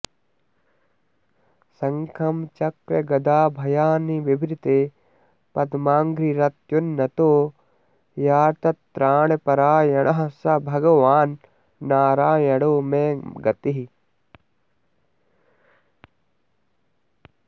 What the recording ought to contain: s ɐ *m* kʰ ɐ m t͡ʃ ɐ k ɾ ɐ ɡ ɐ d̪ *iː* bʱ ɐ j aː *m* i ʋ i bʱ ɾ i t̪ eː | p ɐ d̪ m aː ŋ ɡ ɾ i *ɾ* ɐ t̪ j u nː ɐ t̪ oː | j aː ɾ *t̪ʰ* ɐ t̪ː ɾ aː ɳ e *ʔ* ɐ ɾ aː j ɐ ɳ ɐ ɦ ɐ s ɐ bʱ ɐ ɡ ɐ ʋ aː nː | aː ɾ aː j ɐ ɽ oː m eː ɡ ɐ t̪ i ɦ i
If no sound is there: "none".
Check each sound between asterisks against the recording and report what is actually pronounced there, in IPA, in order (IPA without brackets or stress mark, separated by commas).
ŋ, aː, n, ɾ, t̪, p